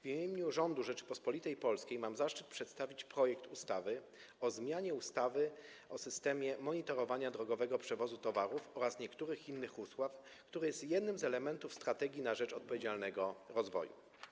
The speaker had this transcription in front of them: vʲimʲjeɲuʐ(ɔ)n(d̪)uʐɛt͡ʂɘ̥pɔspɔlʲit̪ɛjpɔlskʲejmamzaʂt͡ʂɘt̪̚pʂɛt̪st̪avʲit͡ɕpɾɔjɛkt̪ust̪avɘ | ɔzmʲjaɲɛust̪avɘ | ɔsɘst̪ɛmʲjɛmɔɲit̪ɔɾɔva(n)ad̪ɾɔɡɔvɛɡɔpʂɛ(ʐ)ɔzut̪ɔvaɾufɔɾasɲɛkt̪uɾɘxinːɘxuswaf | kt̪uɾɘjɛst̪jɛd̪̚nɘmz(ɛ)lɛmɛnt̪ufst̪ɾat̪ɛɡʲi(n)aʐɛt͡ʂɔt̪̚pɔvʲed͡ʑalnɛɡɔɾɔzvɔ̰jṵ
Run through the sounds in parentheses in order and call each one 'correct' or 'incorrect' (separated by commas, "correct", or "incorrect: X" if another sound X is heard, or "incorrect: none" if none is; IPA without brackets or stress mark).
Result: correct, correct, incorrect: ɲ, incorrect: v, correct, correct